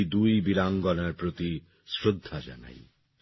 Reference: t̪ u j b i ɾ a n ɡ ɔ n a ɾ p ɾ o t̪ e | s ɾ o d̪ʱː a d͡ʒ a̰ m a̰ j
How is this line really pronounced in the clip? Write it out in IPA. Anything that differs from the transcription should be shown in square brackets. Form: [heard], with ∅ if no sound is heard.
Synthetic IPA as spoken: [d̪] u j b i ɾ a [ŋ] ɡ ɔ n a ɾ p ɾ o t̪ [i] | s ɾ o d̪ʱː a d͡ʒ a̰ [n] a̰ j

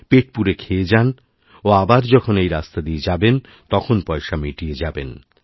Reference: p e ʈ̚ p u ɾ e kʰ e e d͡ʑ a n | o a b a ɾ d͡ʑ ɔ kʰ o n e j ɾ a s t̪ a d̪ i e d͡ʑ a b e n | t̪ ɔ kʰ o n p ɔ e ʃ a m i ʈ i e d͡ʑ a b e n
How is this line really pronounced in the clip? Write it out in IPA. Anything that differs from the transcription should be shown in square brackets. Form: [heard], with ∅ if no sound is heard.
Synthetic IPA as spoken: p e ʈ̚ p u ɾ e kʰ e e d͡ʑ a n | o a b a ɾ d͡ʑ ɔ kʰ o n e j ɾ a s t̪ a d̪ i e d͡ʑ a b e n | t̪ ɔ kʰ o n p ɔ e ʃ a m i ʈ i e d͡ʑ a b e n

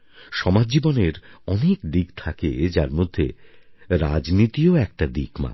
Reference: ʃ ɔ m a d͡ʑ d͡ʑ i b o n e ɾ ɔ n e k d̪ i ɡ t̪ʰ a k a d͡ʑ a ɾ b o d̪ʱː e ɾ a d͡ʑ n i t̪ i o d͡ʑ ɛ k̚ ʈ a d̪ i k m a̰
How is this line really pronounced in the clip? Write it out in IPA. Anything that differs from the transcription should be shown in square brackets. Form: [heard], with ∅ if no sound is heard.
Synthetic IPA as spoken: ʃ ɔ m a d͡ʑ d͡ʑ i b o n e ɾ ɔ n e k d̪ i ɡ t̪ʰ a k [e] d͡ʑ a ɾ [m] o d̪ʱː e ɾ a d͡ʑ n i t̪ i o [∅] ɛ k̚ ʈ a d̪ i k m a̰

